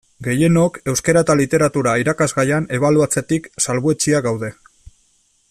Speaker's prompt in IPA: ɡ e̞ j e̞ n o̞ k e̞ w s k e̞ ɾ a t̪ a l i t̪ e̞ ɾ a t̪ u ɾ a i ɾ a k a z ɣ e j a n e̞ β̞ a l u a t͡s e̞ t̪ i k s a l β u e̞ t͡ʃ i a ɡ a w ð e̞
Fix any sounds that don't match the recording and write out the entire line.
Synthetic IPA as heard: ɡ e̞ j e̞ n o̞ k e̞ w s k e̞ ɾ a t̪ a l i t̪ e̞ ɾ a t̪ u ɾ a i ɾ a k a z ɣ a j a n e̞ β̞ a l u a t͡s e̞ t̪ i k s a l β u e̞ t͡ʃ i a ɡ a w ð e̞